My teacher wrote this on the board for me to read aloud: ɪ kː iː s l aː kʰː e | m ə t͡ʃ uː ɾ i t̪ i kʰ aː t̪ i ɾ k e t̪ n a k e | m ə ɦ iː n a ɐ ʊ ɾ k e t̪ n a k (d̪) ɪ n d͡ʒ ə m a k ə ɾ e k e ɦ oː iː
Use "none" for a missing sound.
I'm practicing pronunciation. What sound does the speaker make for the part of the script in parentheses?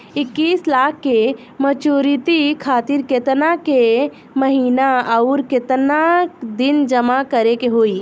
d̪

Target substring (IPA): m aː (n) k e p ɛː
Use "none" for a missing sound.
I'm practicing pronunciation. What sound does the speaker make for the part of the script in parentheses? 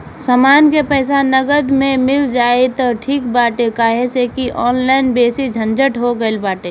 n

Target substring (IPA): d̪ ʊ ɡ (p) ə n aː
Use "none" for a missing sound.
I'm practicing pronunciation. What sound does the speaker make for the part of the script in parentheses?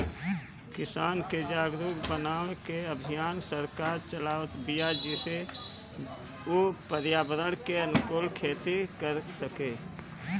b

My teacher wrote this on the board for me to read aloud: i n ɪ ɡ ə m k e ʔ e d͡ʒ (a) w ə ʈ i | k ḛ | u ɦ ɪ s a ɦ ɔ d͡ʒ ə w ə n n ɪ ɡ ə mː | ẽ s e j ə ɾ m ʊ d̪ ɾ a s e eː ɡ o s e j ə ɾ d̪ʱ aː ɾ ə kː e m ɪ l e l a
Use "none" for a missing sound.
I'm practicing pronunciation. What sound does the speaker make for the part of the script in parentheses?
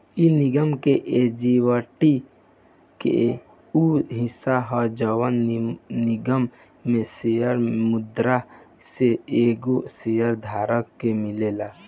i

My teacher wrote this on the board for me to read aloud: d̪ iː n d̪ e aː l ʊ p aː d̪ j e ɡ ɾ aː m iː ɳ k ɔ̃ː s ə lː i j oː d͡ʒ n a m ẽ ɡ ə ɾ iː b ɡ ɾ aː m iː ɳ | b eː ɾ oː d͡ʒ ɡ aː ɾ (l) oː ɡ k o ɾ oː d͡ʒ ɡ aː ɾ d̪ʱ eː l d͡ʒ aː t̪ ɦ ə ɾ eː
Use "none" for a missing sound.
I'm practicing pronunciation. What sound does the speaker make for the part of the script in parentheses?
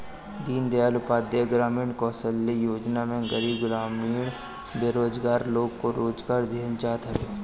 l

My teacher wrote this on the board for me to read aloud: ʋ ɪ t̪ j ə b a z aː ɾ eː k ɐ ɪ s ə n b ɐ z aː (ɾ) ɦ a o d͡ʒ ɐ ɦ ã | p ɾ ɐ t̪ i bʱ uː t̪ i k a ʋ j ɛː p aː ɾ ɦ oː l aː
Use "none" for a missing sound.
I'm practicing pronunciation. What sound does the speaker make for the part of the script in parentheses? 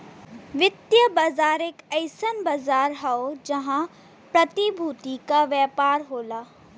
ɾ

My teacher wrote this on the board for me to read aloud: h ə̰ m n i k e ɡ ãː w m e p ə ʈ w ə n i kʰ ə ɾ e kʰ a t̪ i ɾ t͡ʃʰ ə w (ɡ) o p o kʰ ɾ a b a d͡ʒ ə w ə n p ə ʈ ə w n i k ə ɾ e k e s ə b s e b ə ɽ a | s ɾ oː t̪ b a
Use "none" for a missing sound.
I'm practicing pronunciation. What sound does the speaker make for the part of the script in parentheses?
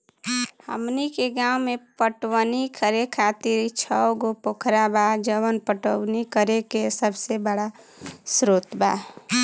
ɡ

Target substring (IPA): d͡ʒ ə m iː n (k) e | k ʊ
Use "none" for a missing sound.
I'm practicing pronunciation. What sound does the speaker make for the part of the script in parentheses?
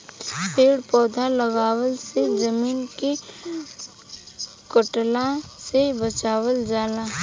k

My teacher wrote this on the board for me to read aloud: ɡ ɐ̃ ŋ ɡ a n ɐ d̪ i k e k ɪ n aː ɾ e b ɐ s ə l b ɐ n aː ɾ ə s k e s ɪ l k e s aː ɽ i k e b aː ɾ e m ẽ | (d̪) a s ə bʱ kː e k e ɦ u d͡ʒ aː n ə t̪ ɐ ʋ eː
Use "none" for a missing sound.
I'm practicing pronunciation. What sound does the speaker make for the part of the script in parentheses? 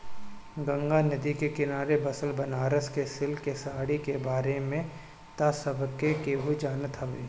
t̪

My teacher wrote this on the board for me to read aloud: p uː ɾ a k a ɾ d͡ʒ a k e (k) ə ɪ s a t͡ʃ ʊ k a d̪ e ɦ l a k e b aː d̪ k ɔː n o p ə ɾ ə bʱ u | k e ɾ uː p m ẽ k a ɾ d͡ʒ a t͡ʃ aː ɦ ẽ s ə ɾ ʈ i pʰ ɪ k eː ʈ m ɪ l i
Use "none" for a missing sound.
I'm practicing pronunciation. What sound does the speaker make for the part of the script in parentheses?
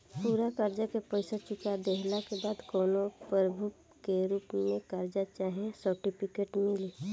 p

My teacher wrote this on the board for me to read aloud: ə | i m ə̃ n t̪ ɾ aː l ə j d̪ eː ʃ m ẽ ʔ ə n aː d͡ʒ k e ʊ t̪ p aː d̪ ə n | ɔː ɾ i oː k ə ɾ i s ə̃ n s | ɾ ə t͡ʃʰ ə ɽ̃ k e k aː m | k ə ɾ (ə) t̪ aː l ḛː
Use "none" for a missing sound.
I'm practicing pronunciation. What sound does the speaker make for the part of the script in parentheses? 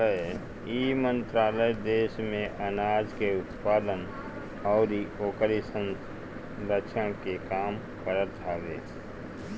ə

